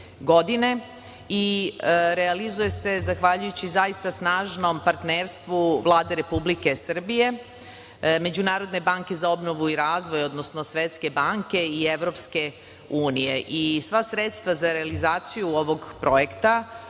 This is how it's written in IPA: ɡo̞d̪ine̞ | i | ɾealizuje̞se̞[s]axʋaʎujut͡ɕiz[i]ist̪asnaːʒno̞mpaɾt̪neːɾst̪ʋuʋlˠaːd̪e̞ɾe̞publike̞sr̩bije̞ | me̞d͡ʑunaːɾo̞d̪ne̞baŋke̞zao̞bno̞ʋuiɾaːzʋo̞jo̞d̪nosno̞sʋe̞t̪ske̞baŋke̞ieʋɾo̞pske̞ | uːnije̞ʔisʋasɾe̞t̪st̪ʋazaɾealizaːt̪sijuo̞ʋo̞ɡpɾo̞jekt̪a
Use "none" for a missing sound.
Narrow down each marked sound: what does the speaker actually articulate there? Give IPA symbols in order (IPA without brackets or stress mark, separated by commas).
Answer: z, a